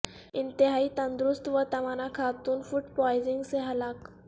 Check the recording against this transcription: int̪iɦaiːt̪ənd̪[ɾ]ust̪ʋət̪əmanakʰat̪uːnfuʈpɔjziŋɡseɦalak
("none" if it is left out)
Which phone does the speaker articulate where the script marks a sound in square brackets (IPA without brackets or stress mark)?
ɾ